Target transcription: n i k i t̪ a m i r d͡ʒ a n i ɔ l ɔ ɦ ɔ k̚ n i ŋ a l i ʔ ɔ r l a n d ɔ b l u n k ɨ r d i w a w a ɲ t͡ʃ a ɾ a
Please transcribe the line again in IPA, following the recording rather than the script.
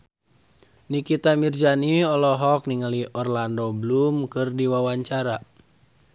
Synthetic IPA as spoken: n i k i t̪ a m i r d͡ʒ a n i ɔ l ɔ ɦ ɔ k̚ n i ŋ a l i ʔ ɔ r l a n d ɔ b l u m k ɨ r d i w a w a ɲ t͡ʃ a ɾ a